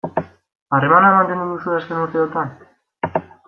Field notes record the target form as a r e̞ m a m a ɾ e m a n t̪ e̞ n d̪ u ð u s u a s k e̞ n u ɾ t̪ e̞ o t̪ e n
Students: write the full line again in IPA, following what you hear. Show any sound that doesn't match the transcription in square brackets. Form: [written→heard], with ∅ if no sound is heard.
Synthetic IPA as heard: a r e̞ m a [m→n] a [ɾ→∅] e m a n t̪ e̞ n d̪ u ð u s u a s k e̞ n u ɾ t̪ e̞ o t̪ [e→a] n